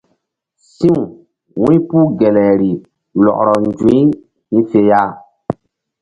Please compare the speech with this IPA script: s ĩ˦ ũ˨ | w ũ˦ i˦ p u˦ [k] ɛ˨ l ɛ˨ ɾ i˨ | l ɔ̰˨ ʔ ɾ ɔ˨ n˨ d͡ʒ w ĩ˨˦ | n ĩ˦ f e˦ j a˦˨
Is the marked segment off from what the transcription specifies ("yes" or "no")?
yes